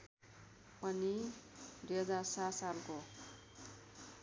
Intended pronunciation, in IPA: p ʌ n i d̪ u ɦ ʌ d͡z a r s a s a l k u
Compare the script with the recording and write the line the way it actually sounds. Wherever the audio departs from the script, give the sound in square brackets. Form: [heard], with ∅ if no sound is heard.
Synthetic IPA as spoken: p ʌ n i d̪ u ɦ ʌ d͡z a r s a s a l k [o]